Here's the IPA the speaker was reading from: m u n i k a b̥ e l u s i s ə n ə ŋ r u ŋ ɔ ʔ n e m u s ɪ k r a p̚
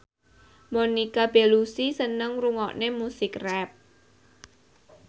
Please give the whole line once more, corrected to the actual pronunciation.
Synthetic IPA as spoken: m o n i k a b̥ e l u s i s ə n ə ŋ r u ŋ ɔ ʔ n e m u s ɪ k r ɛ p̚